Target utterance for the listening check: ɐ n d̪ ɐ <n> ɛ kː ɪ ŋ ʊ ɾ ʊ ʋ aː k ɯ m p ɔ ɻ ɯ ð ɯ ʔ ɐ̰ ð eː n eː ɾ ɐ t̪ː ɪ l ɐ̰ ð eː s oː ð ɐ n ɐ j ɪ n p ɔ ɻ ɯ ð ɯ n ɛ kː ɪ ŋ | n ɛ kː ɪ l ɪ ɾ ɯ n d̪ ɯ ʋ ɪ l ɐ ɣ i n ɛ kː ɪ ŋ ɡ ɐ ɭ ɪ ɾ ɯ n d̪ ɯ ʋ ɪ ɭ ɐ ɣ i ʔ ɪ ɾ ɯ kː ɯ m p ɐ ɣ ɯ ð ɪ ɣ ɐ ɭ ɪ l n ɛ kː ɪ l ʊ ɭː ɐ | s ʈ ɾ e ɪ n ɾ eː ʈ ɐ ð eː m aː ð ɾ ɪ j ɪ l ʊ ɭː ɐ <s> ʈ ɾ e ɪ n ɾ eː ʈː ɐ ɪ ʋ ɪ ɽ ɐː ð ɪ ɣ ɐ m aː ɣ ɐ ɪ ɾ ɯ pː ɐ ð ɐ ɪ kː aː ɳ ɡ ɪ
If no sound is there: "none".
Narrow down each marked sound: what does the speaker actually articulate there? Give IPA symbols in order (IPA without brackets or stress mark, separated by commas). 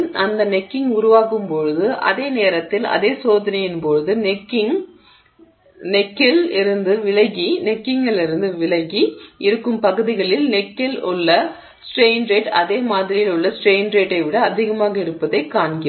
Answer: n, s